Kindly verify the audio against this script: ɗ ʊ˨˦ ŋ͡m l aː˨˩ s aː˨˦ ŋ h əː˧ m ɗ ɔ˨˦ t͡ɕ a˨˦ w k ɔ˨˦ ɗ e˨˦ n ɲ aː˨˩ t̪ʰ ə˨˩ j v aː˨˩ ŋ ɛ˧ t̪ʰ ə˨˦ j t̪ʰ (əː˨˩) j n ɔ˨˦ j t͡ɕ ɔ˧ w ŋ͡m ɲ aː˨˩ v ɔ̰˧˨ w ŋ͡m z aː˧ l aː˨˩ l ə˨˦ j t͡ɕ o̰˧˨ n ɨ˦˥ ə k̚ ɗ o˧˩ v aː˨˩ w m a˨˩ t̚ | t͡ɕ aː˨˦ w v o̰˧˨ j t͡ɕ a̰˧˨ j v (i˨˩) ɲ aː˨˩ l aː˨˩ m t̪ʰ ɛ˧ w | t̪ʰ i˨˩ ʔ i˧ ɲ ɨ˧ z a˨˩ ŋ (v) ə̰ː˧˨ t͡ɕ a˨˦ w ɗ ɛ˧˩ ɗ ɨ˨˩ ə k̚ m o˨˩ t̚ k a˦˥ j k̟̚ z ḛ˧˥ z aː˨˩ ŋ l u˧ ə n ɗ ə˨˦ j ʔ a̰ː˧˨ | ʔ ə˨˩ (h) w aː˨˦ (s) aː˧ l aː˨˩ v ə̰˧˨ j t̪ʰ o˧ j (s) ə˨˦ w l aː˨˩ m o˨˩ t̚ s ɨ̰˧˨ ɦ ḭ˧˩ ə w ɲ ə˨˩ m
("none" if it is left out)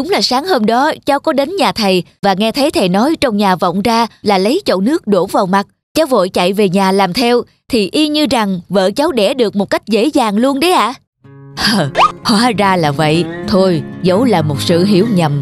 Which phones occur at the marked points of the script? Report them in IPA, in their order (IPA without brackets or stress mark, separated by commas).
ə˨˩, e˨˩, v, h, z, z